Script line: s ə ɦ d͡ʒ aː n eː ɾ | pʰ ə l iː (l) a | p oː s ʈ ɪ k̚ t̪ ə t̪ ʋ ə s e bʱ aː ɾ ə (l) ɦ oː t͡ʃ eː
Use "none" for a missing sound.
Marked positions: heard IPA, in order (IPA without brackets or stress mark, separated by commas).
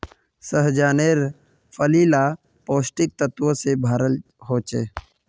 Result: l, l